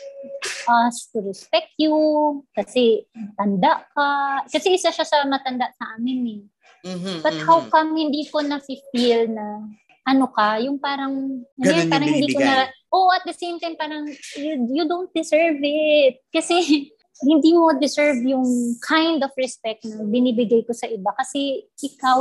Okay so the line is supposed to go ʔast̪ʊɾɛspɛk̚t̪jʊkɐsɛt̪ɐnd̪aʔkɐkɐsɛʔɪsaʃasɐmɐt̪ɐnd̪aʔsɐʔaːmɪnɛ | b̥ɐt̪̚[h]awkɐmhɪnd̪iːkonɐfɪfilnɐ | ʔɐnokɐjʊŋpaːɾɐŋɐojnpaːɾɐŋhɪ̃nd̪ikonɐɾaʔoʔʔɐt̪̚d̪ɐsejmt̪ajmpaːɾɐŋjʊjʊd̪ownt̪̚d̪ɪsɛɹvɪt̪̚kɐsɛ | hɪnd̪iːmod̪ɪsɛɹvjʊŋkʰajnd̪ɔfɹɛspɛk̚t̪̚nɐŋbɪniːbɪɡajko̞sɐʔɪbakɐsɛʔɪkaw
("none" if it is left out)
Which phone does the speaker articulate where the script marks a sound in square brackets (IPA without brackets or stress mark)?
h